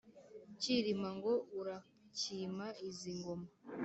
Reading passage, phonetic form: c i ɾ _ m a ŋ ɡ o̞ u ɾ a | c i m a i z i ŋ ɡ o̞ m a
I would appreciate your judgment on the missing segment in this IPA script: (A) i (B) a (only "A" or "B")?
A